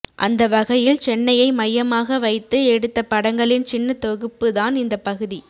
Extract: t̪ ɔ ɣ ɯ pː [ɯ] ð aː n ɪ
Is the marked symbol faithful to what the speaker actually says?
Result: yes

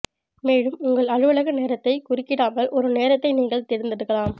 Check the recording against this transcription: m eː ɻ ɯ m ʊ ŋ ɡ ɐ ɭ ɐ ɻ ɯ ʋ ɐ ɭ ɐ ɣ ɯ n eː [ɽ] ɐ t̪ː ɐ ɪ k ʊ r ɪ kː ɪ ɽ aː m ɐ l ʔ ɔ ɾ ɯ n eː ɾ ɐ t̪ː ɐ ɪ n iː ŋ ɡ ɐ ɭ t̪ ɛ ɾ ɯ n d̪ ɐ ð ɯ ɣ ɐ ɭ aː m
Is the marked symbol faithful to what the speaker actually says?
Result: no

